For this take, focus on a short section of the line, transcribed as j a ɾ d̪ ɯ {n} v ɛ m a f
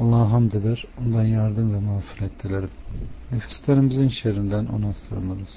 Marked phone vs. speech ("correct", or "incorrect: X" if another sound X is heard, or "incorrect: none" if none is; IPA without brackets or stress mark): incorrect: m